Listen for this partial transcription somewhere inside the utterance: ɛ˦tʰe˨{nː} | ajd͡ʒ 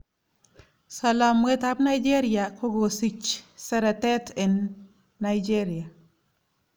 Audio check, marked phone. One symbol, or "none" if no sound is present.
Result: nː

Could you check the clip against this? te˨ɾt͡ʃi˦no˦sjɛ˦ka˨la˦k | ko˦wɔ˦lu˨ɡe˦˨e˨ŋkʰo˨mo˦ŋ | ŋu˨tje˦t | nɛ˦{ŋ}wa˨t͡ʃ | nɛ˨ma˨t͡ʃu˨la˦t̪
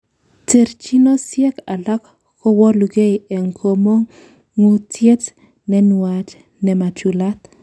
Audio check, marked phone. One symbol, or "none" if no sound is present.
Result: n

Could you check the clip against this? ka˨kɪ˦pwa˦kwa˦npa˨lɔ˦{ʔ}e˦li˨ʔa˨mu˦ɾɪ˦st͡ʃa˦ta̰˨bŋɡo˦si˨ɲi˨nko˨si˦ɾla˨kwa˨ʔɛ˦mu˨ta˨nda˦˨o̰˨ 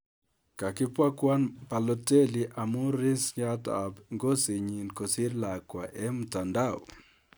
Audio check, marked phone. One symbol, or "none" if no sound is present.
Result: t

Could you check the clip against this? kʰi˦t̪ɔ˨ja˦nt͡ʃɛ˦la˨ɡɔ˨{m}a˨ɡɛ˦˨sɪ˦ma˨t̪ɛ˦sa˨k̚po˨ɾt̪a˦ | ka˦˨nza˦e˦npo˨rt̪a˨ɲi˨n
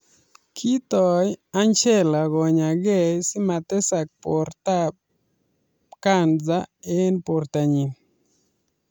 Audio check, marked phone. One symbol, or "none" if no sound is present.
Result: ɲ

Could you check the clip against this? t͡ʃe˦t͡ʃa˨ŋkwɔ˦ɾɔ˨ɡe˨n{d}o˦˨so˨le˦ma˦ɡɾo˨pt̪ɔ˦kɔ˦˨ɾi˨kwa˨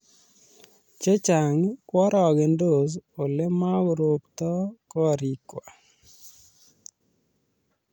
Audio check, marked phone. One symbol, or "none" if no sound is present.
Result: d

